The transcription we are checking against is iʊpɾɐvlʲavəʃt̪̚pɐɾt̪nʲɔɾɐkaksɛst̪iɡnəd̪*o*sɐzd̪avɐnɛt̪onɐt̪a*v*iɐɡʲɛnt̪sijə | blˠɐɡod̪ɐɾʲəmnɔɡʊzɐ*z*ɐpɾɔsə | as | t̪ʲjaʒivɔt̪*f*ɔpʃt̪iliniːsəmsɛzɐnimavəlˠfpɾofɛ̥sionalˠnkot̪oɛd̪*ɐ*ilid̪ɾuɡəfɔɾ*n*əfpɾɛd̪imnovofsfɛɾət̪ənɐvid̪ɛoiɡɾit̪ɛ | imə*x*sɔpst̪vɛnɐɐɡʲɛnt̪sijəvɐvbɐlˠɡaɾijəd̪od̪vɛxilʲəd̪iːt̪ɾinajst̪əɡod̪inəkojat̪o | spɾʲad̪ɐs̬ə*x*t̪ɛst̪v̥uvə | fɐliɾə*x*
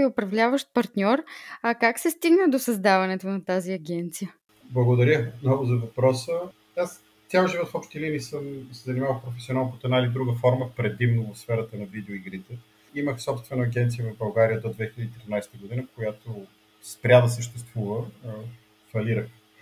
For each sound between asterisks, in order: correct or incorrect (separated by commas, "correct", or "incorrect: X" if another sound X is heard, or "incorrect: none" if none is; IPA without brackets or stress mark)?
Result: correct, incorrect: z, incorrect: v, correct, incorrect: a, incorrect: m, correct, incorrect: ʃ, correct